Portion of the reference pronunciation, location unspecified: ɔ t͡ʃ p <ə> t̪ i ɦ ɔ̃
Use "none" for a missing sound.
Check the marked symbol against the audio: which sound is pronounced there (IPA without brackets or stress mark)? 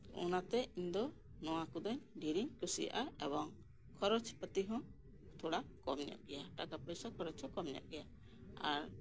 ə